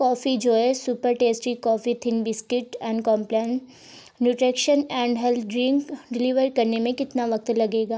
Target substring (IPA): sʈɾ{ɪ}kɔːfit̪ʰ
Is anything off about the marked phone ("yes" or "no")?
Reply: yes